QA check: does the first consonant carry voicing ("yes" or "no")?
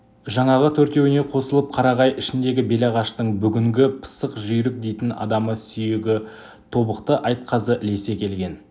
yes